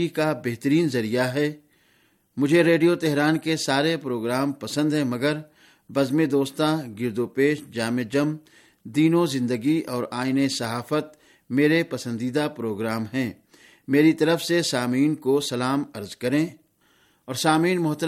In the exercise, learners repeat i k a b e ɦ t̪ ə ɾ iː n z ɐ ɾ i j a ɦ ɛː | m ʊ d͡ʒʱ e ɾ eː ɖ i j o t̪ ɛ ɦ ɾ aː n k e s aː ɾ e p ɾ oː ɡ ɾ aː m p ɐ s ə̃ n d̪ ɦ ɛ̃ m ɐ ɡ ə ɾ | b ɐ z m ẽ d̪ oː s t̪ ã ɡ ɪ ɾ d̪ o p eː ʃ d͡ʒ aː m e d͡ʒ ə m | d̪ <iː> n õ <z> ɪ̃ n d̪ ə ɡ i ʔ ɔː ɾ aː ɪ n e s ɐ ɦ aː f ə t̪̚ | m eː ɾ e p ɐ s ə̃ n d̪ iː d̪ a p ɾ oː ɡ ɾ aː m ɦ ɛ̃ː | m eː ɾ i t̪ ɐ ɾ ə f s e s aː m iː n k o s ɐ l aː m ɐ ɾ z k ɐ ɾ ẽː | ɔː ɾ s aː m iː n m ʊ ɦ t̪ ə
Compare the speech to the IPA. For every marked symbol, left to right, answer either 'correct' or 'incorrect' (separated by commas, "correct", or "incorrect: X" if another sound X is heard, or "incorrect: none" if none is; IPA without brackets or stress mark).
correct, correct